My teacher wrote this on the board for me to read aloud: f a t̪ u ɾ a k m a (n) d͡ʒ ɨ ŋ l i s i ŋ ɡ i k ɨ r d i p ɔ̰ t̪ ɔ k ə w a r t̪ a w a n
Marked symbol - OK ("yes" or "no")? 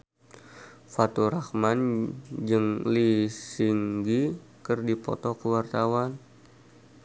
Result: yes